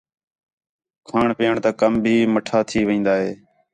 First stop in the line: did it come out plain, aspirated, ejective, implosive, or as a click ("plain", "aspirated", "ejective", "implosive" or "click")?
aspirated